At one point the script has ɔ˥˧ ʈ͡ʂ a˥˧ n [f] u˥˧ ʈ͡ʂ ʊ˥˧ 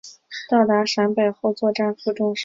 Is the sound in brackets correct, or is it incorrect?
correct